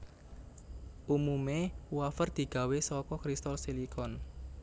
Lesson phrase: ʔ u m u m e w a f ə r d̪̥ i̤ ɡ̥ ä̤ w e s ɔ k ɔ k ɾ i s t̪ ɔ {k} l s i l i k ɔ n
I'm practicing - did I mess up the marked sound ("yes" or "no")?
yes